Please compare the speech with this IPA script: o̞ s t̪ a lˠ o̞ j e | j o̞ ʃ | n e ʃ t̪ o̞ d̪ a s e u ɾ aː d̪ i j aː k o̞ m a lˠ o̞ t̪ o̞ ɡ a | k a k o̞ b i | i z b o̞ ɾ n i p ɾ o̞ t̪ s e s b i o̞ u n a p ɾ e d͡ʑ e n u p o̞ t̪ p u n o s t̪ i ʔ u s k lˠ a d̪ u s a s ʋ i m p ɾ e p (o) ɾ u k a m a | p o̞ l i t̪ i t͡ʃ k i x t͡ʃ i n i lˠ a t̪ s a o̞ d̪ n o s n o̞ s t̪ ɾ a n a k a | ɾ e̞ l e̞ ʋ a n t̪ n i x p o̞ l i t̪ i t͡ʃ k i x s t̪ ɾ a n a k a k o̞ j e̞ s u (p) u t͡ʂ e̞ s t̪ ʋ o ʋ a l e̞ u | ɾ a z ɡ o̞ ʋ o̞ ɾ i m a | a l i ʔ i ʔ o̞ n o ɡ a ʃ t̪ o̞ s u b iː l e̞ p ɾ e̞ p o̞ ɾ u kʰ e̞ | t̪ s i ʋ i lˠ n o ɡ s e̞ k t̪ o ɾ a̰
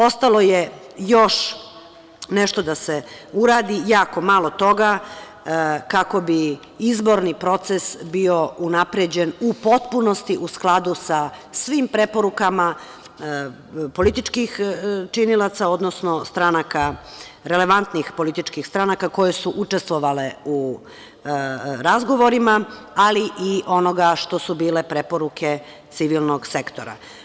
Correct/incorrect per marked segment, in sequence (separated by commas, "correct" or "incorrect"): correct, incorrect